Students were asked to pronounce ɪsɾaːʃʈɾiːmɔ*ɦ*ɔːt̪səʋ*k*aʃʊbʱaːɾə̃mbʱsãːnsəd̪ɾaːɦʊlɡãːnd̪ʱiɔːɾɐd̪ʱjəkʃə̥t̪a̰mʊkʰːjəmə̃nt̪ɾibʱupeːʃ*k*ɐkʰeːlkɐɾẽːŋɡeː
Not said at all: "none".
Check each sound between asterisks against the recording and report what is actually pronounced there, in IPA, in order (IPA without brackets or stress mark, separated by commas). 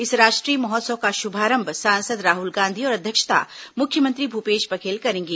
ɦ, k, p